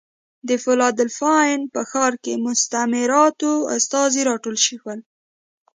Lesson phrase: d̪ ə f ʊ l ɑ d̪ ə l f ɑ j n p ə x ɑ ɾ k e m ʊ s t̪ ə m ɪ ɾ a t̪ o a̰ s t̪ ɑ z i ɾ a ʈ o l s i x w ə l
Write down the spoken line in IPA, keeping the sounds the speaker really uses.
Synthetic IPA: d̪ ə f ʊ l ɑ d̪ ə l f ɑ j n p ə x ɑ ɾ k e m ʊ s t̪ a m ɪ ɾ ɑ t̪ o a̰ s t̪ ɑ z i ɾ ɑ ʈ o l ʃ i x w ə l